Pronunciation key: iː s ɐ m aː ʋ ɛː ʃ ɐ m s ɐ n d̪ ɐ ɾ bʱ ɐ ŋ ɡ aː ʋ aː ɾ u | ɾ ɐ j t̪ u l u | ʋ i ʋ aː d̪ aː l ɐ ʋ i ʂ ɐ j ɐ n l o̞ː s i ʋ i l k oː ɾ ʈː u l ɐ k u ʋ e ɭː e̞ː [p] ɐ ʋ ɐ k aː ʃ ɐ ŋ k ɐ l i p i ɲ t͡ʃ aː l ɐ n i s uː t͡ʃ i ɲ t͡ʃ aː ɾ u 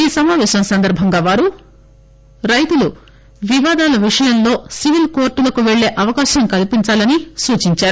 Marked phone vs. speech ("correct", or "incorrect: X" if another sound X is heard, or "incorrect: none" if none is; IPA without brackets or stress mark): incorrect: ʔ